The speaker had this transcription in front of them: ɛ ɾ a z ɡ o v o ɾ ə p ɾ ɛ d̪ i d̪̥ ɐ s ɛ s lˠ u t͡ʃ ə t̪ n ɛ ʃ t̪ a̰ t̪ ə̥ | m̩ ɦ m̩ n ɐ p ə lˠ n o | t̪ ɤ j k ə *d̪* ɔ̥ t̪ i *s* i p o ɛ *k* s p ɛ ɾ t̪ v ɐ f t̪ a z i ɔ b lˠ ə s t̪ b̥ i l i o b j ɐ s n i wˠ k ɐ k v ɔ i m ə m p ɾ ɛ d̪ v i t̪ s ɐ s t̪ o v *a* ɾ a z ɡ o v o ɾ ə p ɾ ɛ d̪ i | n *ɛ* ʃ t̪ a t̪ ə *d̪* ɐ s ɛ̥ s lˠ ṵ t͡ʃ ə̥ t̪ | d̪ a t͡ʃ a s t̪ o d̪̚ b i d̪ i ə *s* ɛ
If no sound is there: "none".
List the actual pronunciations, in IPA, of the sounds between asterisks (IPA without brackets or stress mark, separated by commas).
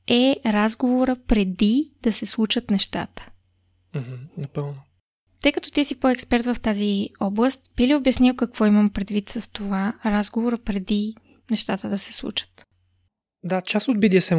t̪, s, k, a, ɛ, d̪, s